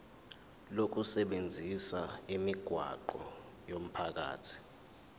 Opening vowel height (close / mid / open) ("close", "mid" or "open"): mid